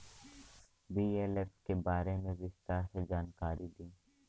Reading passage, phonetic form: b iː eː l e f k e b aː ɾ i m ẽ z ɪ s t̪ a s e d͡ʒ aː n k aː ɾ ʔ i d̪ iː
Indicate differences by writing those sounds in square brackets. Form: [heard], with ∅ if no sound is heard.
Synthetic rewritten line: b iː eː l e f k e b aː ɾ [e] m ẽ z ɪ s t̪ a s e d͡ʒ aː n k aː ɾ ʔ i d̪ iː